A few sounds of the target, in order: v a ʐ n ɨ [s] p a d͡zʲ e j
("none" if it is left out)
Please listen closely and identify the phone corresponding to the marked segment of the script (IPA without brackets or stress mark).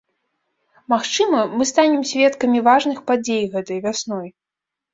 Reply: x